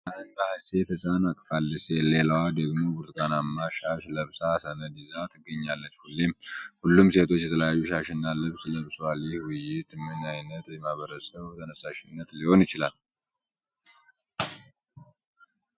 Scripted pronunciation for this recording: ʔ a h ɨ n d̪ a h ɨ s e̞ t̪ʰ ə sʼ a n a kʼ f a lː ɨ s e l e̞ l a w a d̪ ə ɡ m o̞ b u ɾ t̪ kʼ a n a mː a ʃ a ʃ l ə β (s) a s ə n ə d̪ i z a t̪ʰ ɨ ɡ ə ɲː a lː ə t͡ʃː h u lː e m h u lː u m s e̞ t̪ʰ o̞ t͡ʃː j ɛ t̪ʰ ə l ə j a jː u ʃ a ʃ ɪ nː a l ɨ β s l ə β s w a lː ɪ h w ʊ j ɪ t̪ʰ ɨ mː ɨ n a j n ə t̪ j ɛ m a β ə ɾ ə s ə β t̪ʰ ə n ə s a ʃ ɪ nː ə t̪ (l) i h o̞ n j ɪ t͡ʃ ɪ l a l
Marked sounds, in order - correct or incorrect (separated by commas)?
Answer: correct, correct